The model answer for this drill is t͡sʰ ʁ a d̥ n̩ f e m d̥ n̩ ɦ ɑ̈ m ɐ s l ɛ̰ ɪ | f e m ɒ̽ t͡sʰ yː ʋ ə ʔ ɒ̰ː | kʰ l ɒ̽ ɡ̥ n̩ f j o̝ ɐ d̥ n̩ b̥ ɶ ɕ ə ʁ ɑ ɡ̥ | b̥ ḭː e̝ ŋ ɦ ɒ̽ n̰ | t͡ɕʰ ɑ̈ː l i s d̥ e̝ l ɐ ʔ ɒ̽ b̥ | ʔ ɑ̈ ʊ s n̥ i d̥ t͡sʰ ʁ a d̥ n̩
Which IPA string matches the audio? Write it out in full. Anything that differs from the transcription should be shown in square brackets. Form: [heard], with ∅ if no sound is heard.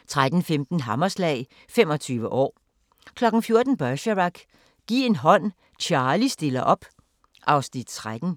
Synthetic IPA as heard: t͡sʰ ʁ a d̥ n̩ f e m d̥ n̩ ɦ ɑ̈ m ɐ s l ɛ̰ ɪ | f e m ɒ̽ t͡sʰ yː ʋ ə ʔ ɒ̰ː | kʰ l ɒ̽ ɡ̥ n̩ f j o̝ ɐ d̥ n̩ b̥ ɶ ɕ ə ʁ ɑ ɡ̥ | [ɡ̥] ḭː e̝ [n] ɦ ɒ̽ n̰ | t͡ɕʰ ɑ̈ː l i s d̥ e̝ l ɐ ʔ ɒ̽ b̥ | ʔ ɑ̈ ʊ s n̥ i d̥ t͡sʰ ʁ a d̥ n̩